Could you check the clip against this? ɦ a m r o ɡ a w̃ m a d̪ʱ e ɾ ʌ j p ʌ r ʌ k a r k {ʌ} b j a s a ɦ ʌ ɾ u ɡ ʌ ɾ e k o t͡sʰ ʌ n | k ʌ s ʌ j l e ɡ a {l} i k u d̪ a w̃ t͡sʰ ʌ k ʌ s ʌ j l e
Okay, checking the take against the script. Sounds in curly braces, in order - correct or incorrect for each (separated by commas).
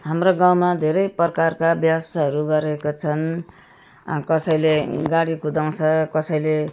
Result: incorrect, incorrect